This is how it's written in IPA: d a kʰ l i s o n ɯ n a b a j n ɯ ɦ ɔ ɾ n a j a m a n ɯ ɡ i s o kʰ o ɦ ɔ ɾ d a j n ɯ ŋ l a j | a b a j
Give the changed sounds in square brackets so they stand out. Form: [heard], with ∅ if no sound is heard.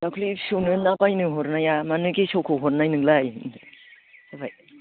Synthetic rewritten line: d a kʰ l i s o n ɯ n a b a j n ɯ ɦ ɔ ɾ n a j a m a n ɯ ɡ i s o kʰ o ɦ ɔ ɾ [n] a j n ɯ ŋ l a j | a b a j

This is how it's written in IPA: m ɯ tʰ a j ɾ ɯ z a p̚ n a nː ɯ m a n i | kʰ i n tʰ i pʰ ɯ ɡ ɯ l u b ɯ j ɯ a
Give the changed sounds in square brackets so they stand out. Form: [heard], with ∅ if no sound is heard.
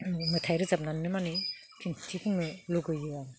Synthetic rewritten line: m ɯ tʰ a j ɾ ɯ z a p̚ n a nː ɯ m a n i | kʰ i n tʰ i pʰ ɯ [ŋ] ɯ l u [ɡ] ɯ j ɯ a

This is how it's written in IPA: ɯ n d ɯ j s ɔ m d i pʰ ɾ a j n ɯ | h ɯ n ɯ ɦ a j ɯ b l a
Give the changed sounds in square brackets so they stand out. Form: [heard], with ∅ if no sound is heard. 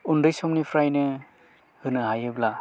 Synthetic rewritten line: [u] n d ɯ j s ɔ m [n] i pʰ ɾ a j n ɯ | h ɯ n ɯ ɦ a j ɯ b l a

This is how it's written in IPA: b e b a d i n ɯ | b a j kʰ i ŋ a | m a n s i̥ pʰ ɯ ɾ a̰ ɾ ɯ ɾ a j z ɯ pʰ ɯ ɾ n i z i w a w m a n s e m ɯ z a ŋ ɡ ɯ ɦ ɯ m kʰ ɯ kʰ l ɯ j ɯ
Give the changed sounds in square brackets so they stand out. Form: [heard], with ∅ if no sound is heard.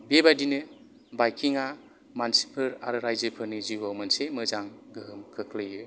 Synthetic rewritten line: b e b a d i n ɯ | b a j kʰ i ŋ a | m a n s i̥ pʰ ɯ ɾ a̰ ɾ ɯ ɾ a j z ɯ pʰ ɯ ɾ n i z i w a w m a n s e m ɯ z a ŋ ɡ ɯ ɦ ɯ m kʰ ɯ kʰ l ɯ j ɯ

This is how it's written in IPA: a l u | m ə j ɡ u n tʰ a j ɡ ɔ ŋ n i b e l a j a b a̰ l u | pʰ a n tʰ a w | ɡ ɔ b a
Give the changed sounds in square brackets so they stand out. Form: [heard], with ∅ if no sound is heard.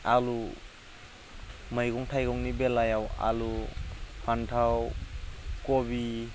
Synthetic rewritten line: a l u | m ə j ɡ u [ŋ] tʰ a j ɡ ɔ ŋ n i b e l a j a [w] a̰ l u | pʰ a n tʰ a w | [k] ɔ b [i]

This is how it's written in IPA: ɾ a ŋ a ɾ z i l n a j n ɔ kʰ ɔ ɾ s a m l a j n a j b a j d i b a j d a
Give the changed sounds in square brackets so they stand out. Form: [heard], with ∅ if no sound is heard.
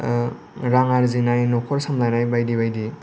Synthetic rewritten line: ɾ a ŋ a ɾ z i [∅] n a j n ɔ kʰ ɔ ɾ s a m l a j n a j b a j d i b a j d [i]

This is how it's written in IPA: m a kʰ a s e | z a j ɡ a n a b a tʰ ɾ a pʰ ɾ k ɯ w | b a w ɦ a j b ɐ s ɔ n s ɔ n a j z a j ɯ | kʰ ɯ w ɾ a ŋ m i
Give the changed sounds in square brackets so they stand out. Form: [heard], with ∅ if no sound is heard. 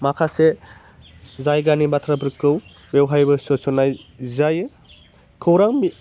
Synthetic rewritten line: m a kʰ a s e | z a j ɡ a n [i] b a tʰ ɾ a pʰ ɾ k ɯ w | b [e] w ɦ a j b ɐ s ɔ [∅] s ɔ n a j z a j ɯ | kʰ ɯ w ɾ a ŋ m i

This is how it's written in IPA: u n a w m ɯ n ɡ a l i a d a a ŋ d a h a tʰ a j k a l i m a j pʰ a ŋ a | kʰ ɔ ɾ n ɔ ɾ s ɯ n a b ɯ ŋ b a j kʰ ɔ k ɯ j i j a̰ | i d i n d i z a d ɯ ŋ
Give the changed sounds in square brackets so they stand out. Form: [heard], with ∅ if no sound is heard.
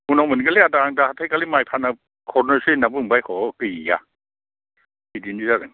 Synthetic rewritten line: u n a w m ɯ n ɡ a l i a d a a ŋ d a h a tʰ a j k a l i m a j pʰ a [n] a | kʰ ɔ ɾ n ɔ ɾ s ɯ n a b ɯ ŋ b a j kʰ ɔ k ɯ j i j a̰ | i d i n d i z a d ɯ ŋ

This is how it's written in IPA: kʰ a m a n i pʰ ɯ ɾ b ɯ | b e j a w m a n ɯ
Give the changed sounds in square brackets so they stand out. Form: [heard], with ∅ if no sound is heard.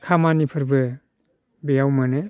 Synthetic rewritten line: kʰ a m a n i pʰ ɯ ɾ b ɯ | b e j a w m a n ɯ

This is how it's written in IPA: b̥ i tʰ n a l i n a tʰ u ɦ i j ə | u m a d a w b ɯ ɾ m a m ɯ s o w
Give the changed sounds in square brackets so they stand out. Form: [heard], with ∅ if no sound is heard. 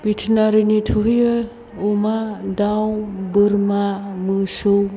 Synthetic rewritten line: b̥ i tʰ n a [ɾ] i n [i] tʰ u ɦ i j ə | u m a d a w b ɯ ɾ m a m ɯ s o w

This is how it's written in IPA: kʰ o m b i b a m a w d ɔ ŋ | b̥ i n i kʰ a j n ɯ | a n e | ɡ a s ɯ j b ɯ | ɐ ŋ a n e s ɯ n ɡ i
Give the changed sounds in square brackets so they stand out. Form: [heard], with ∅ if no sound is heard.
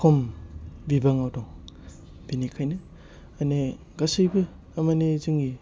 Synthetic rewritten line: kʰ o m b i b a [ŋ] a w d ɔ ŋ | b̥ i n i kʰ a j n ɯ | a n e | ɡ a s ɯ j b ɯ | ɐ [m] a n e [z] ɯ [ŋ] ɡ i

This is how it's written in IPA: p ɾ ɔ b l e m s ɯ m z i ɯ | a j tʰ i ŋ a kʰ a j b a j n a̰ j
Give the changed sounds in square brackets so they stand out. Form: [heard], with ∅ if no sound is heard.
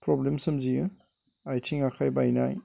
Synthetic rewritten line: p ɾ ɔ b l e m s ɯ m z i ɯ | a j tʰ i ŋ a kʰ a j b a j n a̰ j

